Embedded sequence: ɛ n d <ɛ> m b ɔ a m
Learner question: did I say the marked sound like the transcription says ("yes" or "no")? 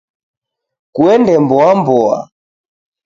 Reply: yes